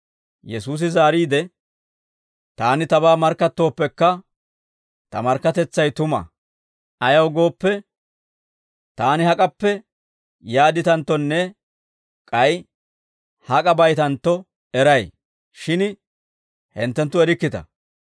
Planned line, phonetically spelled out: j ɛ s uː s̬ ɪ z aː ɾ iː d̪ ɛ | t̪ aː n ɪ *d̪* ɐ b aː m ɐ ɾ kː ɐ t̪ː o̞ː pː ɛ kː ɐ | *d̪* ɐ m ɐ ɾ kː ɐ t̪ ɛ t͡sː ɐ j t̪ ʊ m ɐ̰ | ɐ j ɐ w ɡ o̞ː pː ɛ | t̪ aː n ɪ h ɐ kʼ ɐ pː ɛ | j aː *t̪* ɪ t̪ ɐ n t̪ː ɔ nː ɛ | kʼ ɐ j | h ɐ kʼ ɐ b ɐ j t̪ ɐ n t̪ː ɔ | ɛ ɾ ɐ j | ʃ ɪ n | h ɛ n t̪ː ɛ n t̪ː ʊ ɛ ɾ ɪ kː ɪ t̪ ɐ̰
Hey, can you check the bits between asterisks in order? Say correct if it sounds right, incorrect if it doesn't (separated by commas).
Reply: incorrect, incorrect, incorrect